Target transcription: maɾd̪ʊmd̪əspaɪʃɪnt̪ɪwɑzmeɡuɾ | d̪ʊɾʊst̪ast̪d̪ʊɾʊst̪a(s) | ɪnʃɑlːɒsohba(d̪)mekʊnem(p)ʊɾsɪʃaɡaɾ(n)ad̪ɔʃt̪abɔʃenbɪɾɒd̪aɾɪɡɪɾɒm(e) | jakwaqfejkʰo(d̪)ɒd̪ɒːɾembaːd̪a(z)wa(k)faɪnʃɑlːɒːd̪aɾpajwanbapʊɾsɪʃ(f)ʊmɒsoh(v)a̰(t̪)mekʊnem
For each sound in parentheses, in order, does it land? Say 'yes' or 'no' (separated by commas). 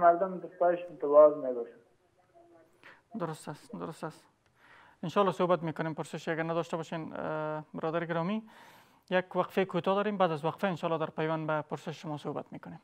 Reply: yes, no, yes, yes, no, no, yes, no, no, no, yes